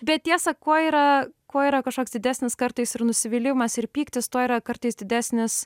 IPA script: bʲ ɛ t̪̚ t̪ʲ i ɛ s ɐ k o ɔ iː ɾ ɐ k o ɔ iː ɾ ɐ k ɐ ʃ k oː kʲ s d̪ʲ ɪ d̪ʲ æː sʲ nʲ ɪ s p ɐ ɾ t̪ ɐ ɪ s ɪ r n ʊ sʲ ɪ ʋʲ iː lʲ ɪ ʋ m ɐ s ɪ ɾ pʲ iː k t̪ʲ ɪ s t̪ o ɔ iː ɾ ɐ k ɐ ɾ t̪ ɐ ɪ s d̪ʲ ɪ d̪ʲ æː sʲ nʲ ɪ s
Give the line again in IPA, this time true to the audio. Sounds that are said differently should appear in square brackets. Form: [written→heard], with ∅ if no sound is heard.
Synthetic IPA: bʲ ɛ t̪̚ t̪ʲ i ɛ s ɐ k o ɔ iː ɾ ɐ k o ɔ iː ɾ ɐ k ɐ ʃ k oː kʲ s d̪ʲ ɪ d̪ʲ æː sʲ nʲ ɪ s [p→k] ɐ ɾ t̪ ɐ ɪ s ɪ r n ʊ sʲ ɪ ʋʲ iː lʲ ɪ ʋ m ɐ s ɪ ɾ pʲ iː k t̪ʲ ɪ s t̪ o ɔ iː ɾ ɐ k ɐ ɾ t̪ ɐ ɪ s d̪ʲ ɪ d̪ʲ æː sʲ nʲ ɪ s